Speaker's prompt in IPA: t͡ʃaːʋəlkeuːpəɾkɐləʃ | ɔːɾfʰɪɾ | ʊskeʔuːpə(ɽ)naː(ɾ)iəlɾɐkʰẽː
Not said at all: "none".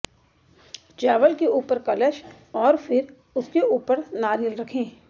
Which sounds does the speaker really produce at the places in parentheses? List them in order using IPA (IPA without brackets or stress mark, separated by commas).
ɾ, ɾ